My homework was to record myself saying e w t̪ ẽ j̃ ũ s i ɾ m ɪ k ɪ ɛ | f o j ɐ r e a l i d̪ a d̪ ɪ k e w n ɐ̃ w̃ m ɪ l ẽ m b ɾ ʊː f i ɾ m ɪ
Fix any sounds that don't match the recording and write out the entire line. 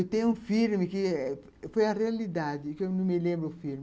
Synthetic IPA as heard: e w t̪ ẽ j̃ ũ f i ɾ m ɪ k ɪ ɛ | f o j ɐ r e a l i d̪ a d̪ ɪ k e w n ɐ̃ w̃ m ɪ l ẽ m b ɾ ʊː f i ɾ m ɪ